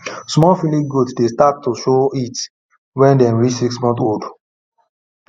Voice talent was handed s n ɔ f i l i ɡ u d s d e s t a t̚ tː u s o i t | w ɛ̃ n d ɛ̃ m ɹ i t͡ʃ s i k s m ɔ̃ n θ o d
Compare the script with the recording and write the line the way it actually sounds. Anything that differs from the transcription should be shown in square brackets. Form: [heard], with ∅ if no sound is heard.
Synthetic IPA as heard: s [m] ɔ f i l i ɡ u d s d e s t a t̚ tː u [ʃ] o i t | w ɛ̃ n d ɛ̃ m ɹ i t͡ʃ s i k s m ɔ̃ n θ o d